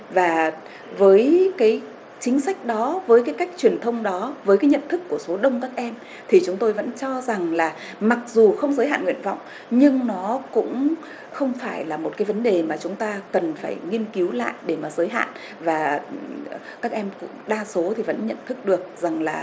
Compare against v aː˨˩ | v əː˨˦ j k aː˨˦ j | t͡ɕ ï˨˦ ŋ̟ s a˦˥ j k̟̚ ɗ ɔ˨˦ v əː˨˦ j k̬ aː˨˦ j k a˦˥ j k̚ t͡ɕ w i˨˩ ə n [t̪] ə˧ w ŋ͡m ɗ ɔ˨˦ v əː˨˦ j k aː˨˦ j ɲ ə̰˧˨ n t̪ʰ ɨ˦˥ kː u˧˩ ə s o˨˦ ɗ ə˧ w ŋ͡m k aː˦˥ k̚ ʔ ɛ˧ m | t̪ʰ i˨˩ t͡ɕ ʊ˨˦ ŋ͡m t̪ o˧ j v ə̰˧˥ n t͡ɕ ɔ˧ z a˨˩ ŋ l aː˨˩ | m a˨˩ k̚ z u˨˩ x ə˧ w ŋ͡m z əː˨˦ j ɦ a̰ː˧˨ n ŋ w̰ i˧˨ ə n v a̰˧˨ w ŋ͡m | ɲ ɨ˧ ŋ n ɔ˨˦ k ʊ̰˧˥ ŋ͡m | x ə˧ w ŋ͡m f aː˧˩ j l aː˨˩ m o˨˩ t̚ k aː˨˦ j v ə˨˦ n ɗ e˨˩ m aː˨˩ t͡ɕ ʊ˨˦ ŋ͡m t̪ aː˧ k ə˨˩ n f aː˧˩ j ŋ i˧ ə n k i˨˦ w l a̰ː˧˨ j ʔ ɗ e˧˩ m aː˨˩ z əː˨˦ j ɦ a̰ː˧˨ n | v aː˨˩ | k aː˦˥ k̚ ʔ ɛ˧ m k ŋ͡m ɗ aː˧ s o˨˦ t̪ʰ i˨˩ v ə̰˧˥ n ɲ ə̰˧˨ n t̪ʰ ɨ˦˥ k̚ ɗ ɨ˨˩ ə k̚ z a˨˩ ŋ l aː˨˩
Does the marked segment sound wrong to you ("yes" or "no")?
yes